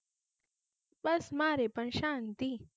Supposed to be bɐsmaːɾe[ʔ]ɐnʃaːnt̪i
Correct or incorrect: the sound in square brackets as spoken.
incorrect: p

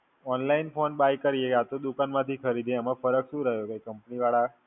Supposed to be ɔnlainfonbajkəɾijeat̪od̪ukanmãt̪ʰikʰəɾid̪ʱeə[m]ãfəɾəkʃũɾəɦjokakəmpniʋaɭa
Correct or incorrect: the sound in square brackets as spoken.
correct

